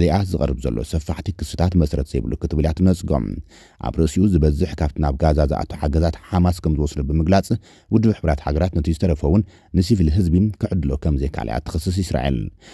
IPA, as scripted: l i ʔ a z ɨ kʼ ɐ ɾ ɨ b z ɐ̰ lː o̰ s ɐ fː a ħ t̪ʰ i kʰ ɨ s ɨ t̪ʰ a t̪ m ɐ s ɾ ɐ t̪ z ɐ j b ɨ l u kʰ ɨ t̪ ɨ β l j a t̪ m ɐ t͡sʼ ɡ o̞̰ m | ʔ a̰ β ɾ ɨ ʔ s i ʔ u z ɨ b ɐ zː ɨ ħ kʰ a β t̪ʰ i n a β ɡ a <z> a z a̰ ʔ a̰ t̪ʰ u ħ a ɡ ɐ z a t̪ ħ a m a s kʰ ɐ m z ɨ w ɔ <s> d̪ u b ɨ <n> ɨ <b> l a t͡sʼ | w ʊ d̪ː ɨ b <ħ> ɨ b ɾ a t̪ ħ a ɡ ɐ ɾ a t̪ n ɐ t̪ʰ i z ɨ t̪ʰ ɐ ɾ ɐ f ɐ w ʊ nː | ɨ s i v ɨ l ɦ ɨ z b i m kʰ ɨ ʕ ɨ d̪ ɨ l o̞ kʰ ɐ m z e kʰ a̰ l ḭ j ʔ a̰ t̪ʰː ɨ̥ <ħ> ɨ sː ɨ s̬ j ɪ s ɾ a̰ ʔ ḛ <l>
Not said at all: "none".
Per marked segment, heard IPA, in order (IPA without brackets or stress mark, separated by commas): z, s, m, ɡ, ħ, x, l